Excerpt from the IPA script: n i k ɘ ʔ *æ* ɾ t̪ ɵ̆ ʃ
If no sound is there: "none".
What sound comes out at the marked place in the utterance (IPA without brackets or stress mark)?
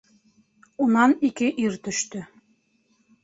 i